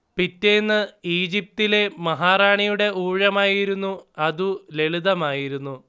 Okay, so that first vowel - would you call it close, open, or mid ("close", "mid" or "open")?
close